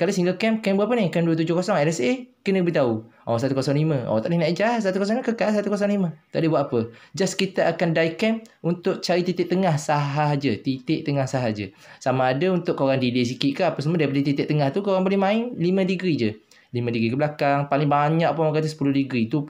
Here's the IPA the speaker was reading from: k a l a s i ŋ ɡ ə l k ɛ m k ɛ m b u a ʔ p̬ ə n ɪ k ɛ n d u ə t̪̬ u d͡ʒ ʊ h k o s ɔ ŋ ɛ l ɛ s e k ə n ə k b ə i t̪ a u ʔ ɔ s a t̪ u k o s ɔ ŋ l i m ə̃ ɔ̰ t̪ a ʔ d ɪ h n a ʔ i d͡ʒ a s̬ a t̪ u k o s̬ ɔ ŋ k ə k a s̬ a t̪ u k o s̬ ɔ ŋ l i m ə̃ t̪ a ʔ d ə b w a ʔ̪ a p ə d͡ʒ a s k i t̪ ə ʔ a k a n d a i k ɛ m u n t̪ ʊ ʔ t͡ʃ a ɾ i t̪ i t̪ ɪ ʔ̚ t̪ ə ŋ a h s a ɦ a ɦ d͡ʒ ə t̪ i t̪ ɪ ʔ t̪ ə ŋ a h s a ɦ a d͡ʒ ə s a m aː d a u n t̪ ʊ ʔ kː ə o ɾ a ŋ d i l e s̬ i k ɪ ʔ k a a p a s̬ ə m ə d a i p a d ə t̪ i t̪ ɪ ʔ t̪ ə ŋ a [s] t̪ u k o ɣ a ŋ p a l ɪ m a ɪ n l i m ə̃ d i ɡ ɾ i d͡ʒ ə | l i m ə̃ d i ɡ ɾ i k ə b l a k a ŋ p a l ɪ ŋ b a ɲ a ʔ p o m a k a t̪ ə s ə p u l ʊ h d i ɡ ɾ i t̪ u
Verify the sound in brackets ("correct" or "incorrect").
incorrect